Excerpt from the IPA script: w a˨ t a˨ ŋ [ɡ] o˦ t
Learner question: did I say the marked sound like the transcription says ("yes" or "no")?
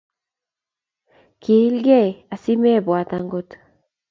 yes